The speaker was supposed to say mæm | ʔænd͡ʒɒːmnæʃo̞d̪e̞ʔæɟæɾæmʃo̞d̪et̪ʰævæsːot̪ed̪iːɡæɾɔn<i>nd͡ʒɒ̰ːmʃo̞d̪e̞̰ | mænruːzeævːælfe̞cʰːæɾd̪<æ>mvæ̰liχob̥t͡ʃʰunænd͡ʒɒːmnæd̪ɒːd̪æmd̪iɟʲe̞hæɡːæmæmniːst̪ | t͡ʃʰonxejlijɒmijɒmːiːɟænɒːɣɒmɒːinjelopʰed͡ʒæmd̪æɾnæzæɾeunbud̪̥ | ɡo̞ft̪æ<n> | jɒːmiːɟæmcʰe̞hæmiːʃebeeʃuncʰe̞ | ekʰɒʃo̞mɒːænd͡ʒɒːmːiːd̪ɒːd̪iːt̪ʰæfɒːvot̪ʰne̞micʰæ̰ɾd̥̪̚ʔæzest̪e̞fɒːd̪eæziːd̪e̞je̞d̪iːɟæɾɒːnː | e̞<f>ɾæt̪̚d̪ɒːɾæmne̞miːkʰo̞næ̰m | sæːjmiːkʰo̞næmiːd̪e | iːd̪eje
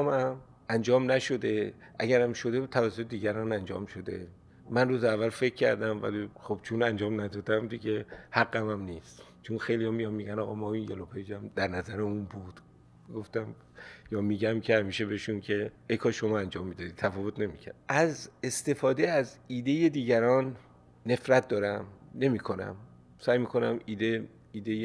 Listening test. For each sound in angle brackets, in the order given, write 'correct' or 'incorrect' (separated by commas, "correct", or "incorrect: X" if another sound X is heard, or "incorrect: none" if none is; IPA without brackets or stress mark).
incorrect: æ, correct, incorrect: m, correct